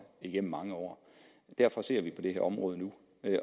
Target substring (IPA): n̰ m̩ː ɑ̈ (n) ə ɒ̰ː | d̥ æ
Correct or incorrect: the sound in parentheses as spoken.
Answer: incorrect: ŋ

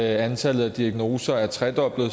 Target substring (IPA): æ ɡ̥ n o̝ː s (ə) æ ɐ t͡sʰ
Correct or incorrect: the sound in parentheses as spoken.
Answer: incorrect: ɐ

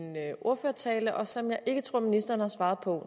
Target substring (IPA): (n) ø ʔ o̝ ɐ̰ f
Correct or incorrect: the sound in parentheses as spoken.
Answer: correct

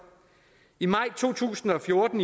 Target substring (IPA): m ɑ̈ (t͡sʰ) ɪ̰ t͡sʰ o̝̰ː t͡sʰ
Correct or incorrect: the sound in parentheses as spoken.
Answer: incorrect: none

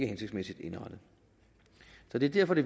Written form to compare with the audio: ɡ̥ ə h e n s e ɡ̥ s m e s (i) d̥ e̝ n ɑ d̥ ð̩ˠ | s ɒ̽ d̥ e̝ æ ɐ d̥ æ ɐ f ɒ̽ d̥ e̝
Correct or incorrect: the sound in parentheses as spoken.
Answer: correct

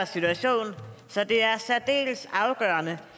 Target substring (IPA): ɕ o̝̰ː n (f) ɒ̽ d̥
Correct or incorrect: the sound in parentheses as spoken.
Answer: incorrect: s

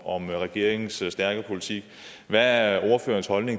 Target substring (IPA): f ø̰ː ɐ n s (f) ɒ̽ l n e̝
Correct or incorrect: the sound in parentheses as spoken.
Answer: incorrect: h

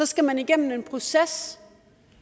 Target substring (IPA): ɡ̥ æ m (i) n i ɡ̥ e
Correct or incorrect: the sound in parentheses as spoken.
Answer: incorrect: æ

